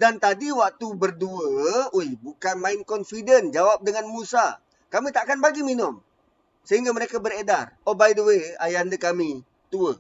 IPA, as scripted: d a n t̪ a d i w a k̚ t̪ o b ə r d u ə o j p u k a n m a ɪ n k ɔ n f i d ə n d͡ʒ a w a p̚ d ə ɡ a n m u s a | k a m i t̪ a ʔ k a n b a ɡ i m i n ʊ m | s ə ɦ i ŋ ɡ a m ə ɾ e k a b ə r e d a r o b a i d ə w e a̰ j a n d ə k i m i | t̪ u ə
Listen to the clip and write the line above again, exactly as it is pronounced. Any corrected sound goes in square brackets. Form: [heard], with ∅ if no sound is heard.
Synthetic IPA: d a n t̪ a d i w a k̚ t̪ [u] b ə r d u ə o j [b] u k a n m a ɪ n k ɔ n f i d ə n d͡ʒ a w a p̚ d ə [ŋ] a n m u s a | k a m i t̪ a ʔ k a n b a ɡ i m i n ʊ m | s ə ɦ i ŋ ɡ a m ə ɾ e k a b ə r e d a r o b a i d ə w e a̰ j a n d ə k [a] m i | t̪ u ə